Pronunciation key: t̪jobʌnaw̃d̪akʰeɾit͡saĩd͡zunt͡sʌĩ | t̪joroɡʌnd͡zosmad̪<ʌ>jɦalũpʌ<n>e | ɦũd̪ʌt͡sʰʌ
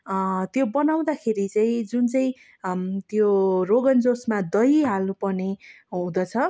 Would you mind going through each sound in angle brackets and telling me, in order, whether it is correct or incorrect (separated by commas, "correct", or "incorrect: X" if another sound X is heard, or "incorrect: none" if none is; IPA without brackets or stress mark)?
correct, correct